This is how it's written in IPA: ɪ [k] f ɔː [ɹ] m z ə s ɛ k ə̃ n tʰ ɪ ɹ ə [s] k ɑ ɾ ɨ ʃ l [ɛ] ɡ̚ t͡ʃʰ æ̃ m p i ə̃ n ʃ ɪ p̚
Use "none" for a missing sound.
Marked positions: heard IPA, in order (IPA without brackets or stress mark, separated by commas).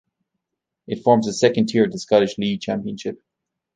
t, ɹ, s, i